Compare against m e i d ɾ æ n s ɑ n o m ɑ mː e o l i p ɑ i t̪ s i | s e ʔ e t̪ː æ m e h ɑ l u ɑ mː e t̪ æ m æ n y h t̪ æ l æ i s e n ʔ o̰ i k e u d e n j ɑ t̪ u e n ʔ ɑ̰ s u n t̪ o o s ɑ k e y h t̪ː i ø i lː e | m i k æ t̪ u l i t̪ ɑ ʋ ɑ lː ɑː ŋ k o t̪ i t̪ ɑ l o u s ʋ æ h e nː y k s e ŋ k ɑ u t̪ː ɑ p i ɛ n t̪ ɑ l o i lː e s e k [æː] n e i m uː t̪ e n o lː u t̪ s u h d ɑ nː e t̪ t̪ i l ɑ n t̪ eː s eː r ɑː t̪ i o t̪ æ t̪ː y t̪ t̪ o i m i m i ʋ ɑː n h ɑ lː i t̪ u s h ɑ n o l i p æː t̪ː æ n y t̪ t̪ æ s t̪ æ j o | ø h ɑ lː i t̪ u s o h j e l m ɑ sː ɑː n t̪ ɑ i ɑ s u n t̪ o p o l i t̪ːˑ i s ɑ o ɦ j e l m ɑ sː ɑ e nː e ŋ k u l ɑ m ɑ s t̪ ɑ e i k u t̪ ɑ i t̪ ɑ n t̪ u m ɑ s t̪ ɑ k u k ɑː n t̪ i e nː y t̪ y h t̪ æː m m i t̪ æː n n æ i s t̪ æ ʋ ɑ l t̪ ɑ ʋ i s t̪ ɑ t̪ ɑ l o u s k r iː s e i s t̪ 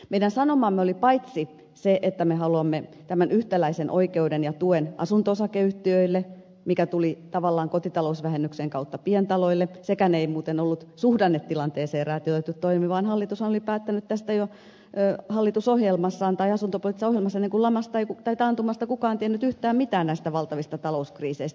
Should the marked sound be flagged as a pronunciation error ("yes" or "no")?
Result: yes